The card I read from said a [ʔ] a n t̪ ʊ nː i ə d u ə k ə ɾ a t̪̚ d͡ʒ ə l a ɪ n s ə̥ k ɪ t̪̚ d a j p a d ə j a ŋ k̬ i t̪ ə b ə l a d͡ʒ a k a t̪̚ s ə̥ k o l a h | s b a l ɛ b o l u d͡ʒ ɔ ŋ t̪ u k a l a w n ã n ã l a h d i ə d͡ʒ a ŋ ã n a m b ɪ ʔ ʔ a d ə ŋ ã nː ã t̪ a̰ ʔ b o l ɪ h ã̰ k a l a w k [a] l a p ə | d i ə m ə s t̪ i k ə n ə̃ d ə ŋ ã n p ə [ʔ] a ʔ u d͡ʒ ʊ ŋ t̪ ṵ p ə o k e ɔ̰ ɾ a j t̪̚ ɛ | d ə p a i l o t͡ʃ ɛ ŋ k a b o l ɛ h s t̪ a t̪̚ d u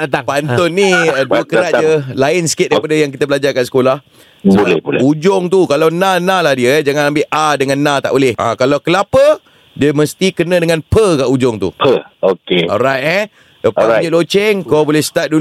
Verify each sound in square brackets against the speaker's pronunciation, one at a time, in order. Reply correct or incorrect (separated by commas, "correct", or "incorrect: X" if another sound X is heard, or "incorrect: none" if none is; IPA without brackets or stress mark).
incorrect: p, incorrect: ə, incorrect: k